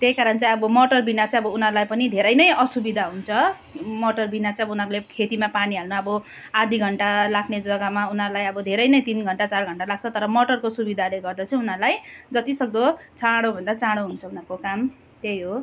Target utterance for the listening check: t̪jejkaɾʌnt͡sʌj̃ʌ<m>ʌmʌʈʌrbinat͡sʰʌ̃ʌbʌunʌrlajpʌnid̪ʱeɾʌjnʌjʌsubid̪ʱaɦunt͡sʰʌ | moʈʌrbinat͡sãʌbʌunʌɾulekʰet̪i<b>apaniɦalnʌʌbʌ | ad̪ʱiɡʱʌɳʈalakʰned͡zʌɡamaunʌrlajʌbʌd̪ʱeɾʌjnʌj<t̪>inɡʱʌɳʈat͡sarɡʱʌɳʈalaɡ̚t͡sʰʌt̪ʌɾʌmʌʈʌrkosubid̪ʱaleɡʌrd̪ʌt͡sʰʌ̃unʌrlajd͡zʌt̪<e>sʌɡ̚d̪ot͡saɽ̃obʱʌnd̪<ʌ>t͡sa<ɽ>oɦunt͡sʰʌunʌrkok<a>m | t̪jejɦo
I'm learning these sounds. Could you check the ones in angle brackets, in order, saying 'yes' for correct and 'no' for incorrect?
no, no, yes, no, no, yes, yes

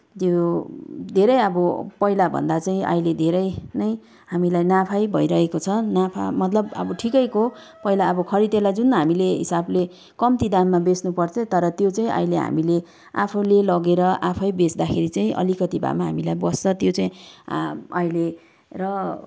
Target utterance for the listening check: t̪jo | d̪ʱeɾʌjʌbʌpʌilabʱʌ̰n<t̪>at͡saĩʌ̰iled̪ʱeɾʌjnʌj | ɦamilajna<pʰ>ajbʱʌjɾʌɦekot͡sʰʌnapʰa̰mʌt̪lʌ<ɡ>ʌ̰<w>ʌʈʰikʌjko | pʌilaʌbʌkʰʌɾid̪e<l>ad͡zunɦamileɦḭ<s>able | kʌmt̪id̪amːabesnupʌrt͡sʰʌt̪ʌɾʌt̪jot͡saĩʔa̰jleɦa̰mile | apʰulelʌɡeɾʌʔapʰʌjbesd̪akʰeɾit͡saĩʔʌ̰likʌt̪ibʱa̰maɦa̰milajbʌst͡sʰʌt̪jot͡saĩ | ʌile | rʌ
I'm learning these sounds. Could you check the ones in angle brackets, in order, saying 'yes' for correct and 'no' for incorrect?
no, yes, no, no, yes, yes

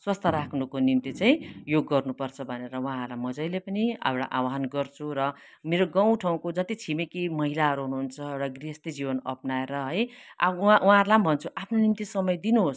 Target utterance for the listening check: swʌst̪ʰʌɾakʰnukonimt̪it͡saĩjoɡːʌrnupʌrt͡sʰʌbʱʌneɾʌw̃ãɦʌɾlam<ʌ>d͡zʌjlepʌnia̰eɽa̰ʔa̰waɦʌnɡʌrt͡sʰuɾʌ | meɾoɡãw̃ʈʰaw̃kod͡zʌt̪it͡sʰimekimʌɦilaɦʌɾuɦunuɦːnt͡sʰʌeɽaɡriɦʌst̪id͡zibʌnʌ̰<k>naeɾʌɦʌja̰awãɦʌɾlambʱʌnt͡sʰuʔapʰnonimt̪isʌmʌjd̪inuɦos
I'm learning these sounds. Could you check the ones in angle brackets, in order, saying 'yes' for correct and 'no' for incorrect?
yes, no

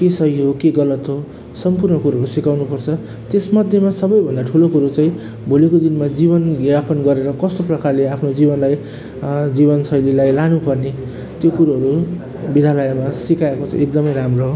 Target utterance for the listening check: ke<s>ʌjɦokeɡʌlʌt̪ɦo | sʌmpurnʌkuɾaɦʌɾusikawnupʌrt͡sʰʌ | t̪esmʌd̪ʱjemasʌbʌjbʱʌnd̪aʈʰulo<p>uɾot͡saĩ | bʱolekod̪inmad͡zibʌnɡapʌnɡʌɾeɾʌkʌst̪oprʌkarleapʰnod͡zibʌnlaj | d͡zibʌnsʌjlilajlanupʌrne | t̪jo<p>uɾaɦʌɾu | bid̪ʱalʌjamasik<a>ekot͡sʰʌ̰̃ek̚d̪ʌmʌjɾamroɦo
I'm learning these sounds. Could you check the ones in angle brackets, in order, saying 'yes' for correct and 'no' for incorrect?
yes, no, no, yes

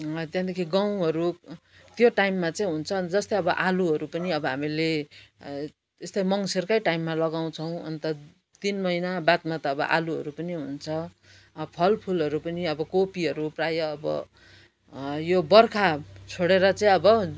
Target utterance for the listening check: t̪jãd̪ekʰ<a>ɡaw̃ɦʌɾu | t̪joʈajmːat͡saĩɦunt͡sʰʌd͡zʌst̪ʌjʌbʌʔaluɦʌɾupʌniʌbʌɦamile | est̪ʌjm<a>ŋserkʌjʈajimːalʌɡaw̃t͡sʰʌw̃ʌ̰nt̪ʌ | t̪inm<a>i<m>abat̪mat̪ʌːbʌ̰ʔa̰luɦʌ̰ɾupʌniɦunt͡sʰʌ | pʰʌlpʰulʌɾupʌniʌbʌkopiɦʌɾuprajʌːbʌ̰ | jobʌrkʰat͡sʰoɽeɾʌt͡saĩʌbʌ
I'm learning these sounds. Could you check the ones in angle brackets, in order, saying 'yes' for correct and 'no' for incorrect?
no, no, no, no

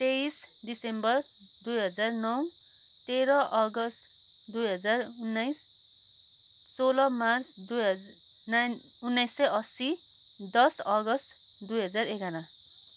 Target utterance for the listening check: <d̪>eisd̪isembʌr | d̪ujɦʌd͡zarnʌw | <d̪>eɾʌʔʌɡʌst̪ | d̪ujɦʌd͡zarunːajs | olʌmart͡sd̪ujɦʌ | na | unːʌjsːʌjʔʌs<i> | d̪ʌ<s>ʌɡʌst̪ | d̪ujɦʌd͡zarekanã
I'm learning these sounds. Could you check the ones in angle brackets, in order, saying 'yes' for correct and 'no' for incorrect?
no, no, yes, yes

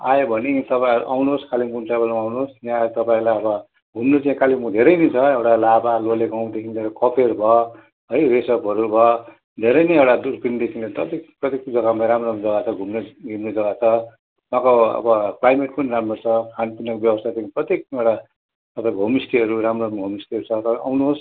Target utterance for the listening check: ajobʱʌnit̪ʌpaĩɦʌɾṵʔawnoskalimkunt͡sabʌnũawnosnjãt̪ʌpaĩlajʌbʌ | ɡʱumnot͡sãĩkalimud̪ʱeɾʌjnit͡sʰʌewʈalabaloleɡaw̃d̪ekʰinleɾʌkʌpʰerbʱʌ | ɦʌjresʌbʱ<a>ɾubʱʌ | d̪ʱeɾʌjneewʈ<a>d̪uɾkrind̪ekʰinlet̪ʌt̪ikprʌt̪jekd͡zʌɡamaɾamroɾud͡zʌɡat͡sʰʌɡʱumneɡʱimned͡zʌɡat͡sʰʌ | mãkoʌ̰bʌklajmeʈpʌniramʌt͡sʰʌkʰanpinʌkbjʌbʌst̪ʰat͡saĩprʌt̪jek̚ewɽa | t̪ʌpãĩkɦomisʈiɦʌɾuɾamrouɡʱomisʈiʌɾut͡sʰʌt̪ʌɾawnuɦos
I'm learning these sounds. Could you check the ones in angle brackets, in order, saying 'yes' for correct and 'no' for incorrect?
no, yes

